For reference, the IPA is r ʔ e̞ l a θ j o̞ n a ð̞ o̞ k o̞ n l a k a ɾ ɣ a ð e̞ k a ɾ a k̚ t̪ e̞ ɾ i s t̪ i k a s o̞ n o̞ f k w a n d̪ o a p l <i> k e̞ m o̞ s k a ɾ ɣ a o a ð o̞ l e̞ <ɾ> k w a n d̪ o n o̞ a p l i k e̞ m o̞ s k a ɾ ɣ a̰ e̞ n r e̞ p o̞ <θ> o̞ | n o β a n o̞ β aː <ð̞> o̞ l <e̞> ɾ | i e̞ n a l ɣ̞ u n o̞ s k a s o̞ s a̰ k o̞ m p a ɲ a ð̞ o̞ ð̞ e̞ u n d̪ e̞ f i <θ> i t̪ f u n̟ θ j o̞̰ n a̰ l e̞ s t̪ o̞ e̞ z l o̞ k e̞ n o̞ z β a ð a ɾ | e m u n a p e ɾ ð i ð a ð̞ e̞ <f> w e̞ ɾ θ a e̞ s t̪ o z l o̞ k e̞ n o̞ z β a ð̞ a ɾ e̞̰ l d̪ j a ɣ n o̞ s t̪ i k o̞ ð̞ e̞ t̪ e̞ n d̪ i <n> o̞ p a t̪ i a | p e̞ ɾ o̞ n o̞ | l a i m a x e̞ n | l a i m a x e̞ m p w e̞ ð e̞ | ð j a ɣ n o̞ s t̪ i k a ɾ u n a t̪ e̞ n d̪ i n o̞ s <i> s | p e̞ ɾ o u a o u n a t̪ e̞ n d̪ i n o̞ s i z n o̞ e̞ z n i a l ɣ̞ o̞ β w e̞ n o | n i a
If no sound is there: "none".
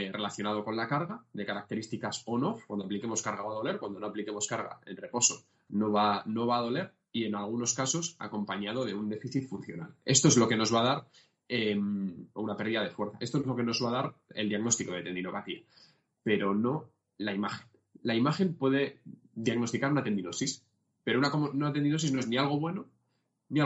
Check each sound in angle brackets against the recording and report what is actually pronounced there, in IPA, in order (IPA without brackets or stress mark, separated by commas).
i, ɾ, s, ð̞, e̞, θ, f, n, i